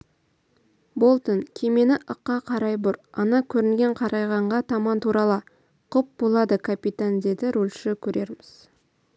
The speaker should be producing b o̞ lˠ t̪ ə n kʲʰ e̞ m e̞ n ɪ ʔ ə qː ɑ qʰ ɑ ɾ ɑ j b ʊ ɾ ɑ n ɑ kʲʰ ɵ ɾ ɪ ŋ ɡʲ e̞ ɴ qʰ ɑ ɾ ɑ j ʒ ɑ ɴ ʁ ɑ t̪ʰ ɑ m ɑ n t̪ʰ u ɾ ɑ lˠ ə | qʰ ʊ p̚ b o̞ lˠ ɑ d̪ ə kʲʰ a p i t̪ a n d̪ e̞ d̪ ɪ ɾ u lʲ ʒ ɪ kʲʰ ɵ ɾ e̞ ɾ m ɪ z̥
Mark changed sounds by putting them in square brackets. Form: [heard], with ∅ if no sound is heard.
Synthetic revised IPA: b o̞ lˠ t̪ ə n kʲʰ e̞ m e̞ n ɪ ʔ ə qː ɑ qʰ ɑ ɾ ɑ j b ʊ ɾ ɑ n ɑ kʲʰ ɵ ɾ ɪ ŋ ɡʲ e̞ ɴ qʰ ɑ ɾ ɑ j [ʁ] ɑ ɴ ʁ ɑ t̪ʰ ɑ m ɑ n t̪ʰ u ɾ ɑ lˠ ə | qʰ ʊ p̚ b o̞ lˠ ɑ d̪ ə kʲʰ a p i t̪ a n d̪ e̞ d̪ ɪ ɾ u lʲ [ʃ] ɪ kʲʰ ɵ ɾ e̞ ɾ m ɪ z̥